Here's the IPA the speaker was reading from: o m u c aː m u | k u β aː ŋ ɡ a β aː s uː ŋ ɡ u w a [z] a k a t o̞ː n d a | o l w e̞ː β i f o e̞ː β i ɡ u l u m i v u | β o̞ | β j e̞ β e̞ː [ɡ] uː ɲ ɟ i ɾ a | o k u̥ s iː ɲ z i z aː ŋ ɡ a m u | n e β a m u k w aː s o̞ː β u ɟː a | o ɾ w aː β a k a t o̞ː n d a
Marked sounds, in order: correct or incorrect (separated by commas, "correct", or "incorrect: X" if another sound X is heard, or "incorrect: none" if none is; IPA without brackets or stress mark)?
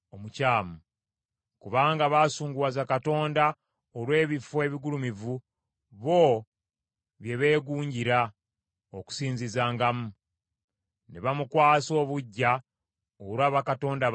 correct, correct